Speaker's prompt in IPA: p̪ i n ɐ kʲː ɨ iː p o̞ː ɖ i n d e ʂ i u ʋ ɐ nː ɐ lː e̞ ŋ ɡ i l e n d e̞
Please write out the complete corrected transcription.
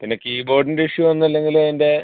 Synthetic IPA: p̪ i n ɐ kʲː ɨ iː b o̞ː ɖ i n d i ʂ j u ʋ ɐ nː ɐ lː e̞ ŋ ɡ i l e n d e̞